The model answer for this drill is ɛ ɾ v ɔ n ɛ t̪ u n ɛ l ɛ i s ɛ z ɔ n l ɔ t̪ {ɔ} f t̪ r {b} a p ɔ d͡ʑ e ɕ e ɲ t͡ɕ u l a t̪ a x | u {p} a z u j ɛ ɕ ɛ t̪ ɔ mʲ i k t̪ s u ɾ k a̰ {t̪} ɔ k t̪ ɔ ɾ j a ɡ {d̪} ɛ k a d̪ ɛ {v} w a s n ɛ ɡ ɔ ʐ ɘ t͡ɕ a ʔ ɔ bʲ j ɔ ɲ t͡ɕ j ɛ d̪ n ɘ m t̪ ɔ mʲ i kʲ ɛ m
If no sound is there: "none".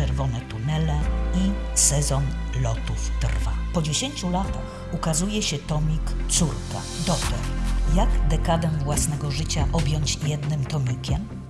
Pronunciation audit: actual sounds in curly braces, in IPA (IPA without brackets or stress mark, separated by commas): u, v, k, d̪, d̪, v